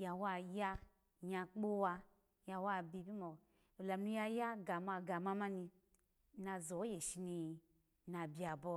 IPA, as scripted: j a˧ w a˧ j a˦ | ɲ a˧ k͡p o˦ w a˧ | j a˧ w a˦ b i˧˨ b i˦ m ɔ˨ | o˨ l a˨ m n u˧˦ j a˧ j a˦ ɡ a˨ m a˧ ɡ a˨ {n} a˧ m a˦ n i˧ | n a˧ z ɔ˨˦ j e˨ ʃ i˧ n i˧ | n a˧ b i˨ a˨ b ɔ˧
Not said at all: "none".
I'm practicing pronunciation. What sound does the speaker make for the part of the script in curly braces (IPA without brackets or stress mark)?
m